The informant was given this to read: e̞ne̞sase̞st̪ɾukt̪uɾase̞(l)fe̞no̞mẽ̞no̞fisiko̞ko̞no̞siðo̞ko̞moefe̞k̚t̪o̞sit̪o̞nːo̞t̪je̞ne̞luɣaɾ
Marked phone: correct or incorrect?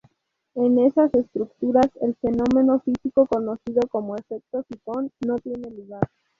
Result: correct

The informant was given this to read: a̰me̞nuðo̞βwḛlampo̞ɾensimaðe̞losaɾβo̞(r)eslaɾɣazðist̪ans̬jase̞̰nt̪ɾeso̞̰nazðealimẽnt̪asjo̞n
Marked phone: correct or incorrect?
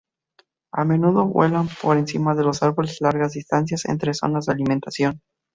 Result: incorrect: l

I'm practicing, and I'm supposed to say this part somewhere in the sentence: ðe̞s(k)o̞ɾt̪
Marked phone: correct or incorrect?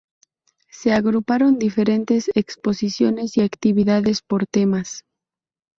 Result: incorrect: p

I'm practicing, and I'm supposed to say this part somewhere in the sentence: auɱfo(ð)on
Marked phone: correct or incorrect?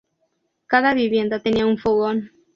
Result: incorrect: ɣ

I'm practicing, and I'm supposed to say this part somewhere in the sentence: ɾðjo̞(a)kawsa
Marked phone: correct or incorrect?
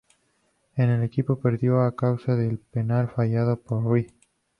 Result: correct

